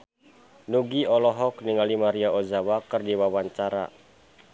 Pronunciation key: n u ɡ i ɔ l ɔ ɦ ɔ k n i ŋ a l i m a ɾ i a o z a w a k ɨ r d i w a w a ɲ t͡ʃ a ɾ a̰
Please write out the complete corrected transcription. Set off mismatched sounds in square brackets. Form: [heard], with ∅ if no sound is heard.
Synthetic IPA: n u ɡ i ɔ l ɔ ɦ ɔ k n i ŋ a l i m a ɾ i a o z a w a k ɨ r d i w a w a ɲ t͡ʃ a ɾ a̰